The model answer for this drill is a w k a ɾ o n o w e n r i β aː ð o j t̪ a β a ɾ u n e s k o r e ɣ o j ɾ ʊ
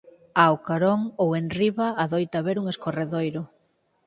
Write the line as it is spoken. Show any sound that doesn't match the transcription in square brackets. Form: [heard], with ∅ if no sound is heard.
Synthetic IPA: a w k a ɾ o [ŋ] o w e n r i β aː ð o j t̪ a β [e] ɾ u [ŋ] e s k o r e [ð] o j ɾ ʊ